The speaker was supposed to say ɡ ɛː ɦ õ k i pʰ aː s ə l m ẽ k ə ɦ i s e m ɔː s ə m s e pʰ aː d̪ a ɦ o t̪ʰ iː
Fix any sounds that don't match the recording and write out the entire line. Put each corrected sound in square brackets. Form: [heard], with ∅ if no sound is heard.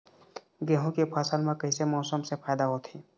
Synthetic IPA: ɡ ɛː ɦ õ k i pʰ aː s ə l m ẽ k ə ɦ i s e m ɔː s ə m s e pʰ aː d̪ a ɦ o t̪ʰ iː